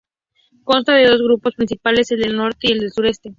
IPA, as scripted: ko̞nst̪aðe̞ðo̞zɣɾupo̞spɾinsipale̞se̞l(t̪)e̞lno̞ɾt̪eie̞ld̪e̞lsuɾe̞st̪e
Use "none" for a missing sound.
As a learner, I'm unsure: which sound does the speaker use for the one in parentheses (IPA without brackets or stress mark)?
d̪